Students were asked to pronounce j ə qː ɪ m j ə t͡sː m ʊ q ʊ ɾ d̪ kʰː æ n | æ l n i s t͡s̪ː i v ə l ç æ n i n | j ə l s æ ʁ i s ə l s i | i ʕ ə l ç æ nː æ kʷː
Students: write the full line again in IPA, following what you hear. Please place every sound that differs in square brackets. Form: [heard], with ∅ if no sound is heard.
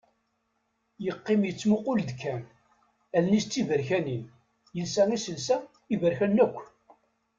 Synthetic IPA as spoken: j ə qː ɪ m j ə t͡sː m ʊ q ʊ [l] d̪ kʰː æ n | æ l n i s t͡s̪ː i v ə [ɾ] ç æ n i n | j ə l s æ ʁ i s ə l s [æ] | i [v] ə [ɾ] ç æ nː æ kʷː